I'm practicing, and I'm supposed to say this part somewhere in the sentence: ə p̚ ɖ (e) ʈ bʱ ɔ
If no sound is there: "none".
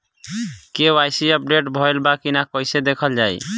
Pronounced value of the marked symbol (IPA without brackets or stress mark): e